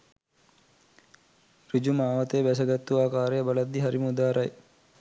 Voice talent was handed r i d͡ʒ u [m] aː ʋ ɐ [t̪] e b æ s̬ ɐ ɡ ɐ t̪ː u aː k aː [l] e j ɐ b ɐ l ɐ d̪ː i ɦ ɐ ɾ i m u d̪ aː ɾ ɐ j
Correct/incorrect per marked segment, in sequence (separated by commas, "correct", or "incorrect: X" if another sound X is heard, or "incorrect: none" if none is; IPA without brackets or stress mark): correct, correct, incorrect: ɾ